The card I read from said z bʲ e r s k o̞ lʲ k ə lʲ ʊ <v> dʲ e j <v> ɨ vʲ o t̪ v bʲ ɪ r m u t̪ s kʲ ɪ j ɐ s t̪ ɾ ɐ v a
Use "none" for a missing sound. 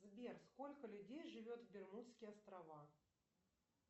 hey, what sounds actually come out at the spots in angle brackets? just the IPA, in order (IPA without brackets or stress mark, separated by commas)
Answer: none, ʐ